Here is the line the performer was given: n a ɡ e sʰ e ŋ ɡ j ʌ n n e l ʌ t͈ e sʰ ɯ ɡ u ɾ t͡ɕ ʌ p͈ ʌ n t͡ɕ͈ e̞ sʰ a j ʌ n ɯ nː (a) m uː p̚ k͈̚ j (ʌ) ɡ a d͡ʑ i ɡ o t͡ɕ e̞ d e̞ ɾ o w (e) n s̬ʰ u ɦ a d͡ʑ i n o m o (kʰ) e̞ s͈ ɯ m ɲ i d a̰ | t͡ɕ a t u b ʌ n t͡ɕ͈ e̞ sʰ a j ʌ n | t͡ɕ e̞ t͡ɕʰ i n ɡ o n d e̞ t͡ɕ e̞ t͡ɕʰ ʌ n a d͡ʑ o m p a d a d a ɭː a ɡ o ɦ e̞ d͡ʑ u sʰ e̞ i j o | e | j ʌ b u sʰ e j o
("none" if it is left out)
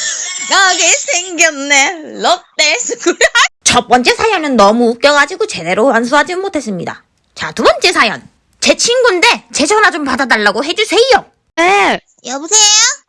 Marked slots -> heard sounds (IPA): ʌ, ʌ, a, tʰ

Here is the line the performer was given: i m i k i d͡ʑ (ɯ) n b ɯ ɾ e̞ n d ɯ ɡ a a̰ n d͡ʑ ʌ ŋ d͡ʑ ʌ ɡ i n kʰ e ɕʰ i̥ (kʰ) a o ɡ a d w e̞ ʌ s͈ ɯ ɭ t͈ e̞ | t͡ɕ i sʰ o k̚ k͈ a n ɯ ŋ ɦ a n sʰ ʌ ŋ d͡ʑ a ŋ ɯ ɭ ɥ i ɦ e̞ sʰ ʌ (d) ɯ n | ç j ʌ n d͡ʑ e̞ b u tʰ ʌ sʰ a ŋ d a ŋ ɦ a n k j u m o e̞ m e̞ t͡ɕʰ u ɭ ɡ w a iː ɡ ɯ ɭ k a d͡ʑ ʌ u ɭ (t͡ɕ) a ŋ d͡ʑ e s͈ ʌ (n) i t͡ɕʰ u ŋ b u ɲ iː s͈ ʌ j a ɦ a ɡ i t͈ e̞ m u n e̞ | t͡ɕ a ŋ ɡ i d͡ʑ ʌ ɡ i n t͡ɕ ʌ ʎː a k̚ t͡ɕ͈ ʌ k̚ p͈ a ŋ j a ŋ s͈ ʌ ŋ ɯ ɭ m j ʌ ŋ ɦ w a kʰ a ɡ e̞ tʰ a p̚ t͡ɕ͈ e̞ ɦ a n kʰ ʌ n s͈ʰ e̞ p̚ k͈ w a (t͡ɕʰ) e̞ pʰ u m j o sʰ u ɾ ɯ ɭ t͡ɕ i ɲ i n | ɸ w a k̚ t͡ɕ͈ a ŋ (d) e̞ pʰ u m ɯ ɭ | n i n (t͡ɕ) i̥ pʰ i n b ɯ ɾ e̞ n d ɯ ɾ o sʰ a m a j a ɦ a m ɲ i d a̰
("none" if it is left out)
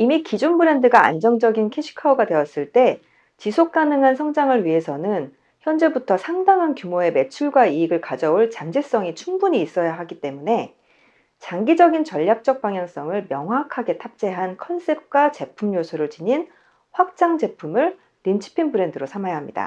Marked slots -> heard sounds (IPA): u, kʰ, n, t͡ɕ, ŋ, t͡ɕ, d͡ʑ, t͡ɕʰ

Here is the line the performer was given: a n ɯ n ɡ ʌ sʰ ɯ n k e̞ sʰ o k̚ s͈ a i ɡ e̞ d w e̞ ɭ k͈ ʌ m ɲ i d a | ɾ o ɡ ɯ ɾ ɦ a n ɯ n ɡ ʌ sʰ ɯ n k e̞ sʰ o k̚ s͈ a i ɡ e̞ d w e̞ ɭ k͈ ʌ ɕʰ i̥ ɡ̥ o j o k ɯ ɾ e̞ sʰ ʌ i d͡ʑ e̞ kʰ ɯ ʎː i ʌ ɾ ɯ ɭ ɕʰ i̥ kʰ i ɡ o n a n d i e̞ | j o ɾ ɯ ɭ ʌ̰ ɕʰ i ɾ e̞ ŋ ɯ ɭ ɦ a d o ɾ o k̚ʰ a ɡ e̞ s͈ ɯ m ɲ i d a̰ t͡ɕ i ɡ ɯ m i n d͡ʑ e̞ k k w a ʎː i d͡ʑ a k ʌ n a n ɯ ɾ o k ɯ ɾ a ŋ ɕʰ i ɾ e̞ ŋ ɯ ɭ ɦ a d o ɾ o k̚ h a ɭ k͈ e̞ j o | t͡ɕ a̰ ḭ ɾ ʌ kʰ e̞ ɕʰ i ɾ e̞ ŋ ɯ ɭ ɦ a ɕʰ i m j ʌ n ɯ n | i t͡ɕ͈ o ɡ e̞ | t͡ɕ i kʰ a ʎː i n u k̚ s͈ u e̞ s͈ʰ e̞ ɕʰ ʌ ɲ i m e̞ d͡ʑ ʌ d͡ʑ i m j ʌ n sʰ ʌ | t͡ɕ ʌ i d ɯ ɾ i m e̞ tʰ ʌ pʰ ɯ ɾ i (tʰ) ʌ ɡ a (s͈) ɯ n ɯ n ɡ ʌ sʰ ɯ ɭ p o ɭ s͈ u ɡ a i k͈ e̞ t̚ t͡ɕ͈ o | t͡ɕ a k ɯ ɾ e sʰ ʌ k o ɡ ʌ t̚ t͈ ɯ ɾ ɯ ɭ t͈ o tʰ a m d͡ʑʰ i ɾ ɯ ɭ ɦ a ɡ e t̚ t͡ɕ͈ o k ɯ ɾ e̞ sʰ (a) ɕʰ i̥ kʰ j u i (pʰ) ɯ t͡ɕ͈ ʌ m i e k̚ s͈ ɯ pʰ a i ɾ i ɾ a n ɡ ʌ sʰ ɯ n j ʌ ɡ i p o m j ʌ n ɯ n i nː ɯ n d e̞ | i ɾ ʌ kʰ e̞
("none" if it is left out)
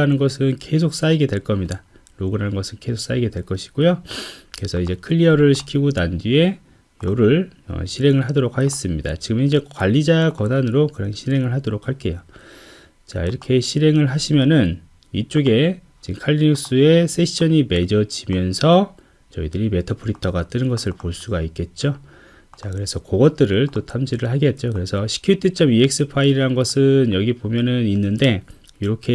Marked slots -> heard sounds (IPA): tʰ, t͈, ʌ, tʰ

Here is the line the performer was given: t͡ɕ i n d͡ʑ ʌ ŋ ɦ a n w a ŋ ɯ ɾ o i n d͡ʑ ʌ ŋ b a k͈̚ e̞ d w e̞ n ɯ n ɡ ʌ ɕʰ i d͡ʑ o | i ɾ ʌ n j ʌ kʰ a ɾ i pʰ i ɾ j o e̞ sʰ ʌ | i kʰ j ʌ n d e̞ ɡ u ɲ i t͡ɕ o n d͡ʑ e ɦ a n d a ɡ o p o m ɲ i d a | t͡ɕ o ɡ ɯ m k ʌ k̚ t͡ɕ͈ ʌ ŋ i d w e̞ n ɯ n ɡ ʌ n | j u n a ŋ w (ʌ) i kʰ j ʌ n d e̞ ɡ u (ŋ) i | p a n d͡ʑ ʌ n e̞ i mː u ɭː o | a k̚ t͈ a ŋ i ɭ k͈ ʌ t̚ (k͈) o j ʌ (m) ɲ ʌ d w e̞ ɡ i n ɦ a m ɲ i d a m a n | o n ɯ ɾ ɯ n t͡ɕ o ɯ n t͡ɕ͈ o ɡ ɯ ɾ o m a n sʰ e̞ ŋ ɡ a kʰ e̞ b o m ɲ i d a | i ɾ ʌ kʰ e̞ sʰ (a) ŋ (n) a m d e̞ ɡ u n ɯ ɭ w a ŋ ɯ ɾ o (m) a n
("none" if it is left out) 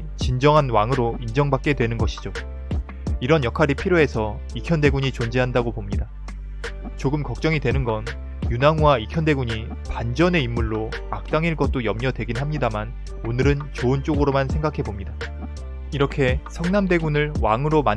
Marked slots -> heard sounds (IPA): a, ɲ, t͈, m, ʌ, n, m

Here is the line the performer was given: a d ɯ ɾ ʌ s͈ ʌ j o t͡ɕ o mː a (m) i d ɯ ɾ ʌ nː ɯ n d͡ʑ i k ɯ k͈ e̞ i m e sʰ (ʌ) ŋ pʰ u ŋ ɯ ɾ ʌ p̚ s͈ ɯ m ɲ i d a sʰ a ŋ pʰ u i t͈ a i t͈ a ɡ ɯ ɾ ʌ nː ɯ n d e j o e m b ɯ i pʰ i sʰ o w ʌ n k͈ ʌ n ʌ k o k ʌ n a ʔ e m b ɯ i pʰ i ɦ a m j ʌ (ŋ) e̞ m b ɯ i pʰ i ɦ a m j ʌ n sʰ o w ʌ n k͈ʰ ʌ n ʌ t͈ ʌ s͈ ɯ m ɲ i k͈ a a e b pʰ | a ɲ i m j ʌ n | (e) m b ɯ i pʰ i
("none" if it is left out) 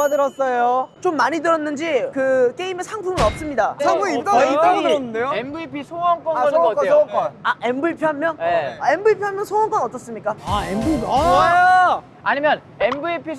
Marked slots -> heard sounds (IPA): ɲ, a, n, e

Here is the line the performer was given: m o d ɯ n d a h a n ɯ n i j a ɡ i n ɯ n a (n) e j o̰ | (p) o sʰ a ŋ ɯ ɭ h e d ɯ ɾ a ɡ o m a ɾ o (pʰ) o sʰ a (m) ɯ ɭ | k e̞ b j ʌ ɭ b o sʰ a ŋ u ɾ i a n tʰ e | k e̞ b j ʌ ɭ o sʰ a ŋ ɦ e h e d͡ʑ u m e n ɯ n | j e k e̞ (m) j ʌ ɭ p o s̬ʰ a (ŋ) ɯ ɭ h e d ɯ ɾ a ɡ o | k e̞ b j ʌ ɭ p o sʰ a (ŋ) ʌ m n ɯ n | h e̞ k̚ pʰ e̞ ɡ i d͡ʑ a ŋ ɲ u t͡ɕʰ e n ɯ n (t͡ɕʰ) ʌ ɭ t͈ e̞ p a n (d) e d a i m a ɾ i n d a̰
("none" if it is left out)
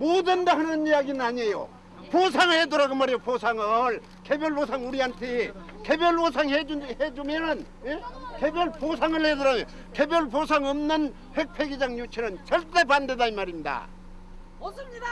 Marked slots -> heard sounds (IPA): ɲ, p, p, ŋ, b, ŋ, ŋ, t͡ɕ, d

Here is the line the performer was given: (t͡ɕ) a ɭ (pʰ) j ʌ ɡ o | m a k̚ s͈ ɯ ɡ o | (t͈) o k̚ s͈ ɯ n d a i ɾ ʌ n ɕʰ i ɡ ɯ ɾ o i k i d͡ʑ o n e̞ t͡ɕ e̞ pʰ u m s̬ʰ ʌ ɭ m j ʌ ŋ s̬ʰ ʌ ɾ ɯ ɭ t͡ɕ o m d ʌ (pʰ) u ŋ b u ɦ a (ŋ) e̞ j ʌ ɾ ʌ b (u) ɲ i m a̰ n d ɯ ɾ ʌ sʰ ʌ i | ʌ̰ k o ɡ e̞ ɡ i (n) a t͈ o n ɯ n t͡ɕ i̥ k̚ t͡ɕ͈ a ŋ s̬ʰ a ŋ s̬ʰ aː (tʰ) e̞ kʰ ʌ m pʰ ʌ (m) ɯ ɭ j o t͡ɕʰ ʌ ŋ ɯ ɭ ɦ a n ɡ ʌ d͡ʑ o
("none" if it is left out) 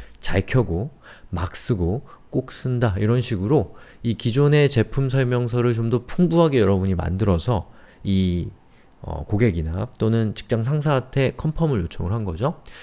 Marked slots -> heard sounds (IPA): t͡ɕ, kʰ, k͈, pʰ, ɡ, u, n, tʰ, m

